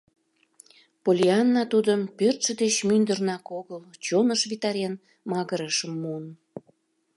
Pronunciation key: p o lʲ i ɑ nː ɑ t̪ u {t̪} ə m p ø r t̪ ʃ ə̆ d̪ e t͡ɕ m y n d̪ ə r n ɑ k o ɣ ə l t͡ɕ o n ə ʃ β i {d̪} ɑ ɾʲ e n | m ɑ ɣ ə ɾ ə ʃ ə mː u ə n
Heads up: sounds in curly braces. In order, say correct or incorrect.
incorrect: d̪, incorrect: t̪

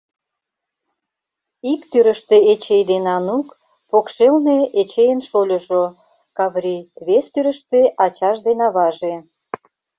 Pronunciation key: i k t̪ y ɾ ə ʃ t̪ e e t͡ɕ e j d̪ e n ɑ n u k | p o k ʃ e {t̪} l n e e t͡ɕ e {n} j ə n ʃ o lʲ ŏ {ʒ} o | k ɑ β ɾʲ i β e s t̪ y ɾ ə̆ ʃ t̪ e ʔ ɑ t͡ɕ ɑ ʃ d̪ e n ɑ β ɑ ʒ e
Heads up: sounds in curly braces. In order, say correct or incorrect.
incorrect: none, incorrect: none, correct

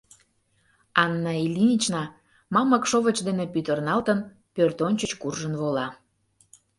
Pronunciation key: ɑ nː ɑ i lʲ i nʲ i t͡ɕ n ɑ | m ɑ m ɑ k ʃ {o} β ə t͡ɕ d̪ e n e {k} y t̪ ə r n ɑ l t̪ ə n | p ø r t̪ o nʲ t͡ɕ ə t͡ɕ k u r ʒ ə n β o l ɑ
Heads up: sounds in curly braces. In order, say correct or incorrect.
correct, incorrect: p

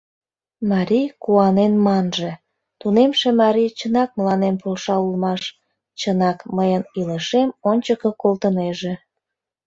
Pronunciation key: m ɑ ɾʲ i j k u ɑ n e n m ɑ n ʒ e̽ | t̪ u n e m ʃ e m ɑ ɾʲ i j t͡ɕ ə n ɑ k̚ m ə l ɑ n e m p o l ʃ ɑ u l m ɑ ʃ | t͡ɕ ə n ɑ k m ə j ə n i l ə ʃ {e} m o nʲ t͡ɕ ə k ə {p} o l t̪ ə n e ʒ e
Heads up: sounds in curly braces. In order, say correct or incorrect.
correct, incorrect: k

